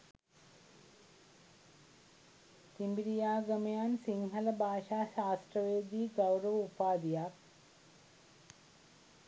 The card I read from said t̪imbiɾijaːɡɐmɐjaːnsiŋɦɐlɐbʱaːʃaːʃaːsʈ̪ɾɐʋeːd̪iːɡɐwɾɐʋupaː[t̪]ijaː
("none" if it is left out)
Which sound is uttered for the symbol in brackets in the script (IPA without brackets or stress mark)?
d̪